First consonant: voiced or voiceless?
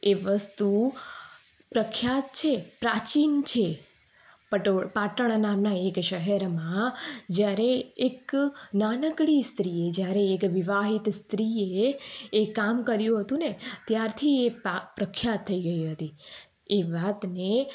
voiced